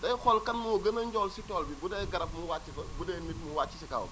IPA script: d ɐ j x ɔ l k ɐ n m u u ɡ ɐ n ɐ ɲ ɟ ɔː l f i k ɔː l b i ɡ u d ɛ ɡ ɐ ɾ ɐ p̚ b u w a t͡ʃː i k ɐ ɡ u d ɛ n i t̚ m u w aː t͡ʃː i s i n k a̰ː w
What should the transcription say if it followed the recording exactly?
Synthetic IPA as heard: d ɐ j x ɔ l k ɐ n m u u ɡ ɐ n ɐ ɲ ɟ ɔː l s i t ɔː l b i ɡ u d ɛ ɡ ɐ ɾ ɐ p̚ m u w a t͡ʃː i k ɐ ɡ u d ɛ n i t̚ m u w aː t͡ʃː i s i k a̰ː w